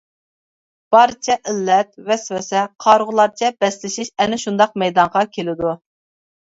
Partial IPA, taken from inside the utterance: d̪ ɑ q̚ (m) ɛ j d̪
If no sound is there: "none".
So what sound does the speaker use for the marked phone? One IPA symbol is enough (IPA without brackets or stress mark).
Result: m